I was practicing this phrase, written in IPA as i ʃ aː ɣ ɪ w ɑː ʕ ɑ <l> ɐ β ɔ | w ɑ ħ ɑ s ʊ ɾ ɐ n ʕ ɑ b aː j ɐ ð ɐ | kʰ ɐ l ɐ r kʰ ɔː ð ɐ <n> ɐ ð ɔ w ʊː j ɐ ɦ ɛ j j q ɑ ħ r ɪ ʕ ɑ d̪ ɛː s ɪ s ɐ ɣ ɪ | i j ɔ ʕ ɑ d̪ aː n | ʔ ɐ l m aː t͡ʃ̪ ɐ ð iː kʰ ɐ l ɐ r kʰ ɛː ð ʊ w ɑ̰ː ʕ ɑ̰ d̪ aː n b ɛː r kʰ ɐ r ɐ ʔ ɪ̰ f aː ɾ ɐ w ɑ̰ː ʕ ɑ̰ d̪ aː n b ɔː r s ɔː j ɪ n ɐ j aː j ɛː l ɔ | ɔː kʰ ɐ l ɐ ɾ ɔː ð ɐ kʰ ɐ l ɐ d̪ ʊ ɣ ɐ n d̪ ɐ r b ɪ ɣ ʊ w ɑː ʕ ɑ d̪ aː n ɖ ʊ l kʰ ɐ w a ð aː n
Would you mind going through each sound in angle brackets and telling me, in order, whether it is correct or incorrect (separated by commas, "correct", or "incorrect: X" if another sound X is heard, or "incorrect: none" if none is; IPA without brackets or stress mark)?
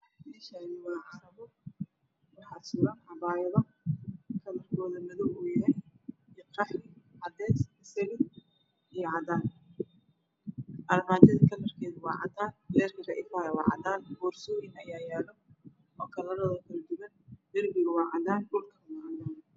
incorrect: ɾ, incorrect: m